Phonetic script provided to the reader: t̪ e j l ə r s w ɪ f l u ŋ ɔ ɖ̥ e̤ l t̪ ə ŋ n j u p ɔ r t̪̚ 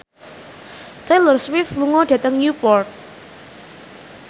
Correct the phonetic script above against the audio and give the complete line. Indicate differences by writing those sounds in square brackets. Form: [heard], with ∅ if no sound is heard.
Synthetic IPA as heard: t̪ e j l ə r s w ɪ f l u ŋ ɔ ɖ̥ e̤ [∅] t̪ ə ŋ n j u p ɔ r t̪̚